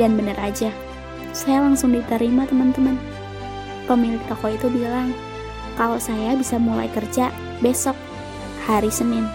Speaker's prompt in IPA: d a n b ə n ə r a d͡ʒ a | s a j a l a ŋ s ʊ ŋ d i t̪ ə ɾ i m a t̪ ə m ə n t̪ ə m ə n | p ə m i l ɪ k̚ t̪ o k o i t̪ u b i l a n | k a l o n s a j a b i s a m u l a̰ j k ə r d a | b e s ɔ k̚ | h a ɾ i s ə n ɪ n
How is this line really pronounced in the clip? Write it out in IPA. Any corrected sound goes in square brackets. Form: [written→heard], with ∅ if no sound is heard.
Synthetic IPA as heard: d a n b ə n ə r a d͡ʒ a | s a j a l a ŋ s ʊ ŋ d i t̪ ə ɾ i m a t̪ ə m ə n t̪ ə m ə n | p ə m i l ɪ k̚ t̪ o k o i t̪ u b i l a [n→ŋ] | k a l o [n→∅] s a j a b i s a m u l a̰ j k ə r [d→d͡ʒ] a | b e s ɔ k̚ | h a ɾ i s ə n ɪ n